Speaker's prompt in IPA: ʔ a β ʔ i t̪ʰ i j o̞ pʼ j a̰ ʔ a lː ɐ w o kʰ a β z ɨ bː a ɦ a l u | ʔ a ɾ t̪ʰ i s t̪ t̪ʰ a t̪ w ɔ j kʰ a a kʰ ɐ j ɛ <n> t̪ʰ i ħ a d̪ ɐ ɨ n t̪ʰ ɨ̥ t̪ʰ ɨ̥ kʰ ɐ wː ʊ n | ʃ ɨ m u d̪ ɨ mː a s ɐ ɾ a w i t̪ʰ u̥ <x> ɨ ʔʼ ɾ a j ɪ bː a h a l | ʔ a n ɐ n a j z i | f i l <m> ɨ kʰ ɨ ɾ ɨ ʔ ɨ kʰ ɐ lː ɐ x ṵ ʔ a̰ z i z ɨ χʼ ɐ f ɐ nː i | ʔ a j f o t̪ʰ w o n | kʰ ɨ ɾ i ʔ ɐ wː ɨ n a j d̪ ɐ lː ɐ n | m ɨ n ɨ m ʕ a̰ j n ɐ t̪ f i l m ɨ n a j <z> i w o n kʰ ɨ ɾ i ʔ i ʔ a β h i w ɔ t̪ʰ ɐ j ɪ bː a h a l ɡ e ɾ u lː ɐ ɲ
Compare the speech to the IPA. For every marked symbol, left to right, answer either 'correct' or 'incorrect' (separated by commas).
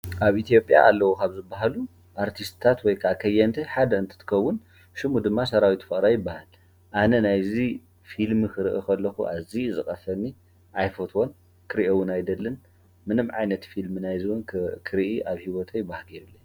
correct, incorrect, correct, correct